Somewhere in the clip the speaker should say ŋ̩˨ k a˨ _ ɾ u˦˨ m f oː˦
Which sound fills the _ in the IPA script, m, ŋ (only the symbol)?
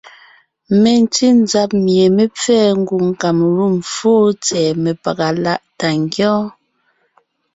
m